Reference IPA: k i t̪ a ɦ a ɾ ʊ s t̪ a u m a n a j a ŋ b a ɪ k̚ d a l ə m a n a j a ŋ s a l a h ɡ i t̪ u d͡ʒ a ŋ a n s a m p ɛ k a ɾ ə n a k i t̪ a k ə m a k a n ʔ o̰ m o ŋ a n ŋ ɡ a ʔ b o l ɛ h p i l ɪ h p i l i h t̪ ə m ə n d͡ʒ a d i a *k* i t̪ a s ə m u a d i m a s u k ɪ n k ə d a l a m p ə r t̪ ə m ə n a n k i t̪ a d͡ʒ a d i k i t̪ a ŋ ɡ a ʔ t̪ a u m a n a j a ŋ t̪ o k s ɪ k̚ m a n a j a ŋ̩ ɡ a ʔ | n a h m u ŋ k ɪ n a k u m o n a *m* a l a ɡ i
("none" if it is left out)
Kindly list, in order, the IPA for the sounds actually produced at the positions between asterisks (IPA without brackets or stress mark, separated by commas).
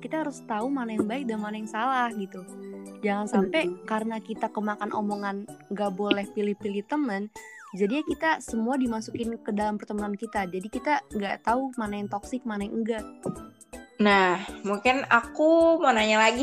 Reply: k, ɲ